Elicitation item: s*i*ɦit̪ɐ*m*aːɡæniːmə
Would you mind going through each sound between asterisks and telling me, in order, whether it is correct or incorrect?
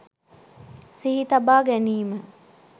correct, incorrect

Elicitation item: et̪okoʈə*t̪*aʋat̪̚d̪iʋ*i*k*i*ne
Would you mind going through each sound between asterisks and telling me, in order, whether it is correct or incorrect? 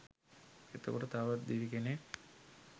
correct, correct, incorrect

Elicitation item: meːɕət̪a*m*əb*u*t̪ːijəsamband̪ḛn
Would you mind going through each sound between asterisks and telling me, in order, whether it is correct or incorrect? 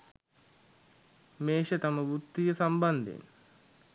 correct, correct

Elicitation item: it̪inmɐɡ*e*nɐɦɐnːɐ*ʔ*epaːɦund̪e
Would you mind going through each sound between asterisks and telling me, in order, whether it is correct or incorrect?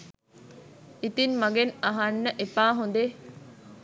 correct, correct

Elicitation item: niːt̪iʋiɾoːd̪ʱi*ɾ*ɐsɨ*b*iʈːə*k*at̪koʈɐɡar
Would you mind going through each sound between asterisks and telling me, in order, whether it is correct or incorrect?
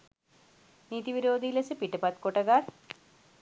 incorrect, incorrect, incorrect

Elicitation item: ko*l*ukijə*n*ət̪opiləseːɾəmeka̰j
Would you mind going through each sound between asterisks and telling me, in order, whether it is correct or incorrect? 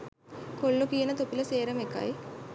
incorrect, correct

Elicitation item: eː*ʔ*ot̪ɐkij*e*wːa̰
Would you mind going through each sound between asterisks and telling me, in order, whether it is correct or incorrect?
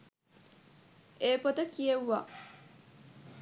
incorrect, correct

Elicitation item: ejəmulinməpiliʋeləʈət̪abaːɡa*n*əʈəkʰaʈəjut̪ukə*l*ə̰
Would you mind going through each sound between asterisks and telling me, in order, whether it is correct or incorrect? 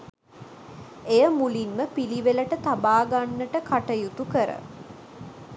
incorrect, incorrect

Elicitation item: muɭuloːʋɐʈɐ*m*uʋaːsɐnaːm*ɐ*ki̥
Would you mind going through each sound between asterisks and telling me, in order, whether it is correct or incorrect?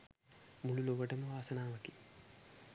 correct, correct

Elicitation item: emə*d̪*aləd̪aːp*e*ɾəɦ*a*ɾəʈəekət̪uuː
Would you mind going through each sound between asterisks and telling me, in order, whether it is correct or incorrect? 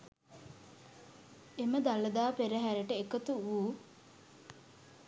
correct, correct, incorrect

